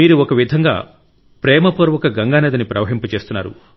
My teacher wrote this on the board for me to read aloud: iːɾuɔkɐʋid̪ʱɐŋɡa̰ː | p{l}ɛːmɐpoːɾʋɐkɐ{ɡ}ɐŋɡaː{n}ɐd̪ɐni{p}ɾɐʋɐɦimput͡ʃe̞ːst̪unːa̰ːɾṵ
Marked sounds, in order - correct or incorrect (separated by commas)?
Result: incorrect, correct, correct, correct